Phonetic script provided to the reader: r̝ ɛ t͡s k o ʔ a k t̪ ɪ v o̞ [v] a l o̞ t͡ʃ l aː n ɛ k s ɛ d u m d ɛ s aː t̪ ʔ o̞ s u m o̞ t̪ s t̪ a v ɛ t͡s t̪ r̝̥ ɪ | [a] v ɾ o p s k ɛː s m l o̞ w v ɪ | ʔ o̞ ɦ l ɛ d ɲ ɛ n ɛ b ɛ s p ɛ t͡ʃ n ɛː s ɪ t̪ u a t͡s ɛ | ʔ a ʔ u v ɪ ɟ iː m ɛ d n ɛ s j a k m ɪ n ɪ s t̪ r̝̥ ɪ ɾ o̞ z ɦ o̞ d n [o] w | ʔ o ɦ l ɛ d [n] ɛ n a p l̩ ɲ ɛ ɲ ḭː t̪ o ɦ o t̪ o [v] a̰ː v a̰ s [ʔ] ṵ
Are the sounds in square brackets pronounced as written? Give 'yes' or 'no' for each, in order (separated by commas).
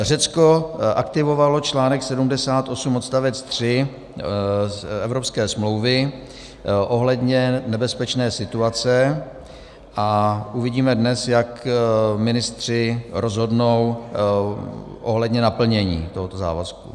yes, no, yes, no, no, no